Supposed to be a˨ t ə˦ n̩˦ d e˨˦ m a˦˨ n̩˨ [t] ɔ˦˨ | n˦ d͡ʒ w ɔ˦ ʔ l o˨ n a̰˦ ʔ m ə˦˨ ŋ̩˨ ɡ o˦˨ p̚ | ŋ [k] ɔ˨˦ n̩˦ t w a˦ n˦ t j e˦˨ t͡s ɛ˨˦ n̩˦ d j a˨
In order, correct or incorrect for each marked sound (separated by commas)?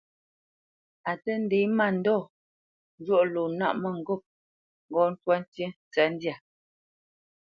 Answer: incorrect, incorrect